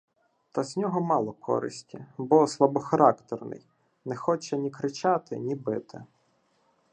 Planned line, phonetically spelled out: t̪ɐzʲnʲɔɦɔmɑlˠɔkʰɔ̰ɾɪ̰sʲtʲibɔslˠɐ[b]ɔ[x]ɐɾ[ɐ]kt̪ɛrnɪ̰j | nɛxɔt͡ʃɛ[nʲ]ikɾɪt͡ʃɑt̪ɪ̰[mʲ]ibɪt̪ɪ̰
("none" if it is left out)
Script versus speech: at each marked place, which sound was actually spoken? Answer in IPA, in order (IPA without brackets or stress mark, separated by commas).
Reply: b, x, ɑ, nʲ, nʲ